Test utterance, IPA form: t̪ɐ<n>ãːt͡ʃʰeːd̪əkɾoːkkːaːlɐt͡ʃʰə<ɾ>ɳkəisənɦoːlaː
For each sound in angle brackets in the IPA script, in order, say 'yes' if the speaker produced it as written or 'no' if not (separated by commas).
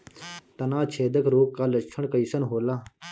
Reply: yes, no